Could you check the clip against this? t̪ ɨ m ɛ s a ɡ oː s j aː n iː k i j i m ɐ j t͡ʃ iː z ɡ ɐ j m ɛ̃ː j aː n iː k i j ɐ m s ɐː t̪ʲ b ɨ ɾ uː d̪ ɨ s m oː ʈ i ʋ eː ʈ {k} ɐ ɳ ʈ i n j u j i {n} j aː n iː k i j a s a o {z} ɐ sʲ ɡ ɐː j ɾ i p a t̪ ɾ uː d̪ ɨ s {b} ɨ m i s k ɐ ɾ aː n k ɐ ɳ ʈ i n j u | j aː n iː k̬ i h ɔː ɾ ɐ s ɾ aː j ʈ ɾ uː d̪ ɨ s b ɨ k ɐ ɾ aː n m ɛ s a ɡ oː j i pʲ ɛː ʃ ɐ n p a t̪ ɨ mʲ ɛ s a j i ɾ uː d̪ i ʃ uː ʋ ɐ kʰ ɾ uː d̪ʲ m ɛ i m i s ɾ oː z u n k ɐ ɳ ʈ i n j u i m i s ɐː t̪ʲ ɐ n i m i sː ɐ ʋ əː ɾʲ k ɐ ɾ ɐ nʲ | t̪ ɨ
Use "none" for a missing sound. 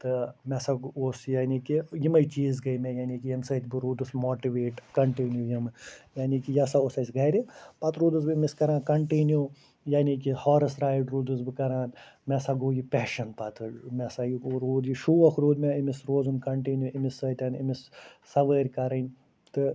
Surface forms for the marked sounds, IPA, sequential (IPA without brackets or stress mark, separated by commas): k, m, s, b